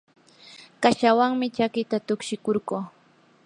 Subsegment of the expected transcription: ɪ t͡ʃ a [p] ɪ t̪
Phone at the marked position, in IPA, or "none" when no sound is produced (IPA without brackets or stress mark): k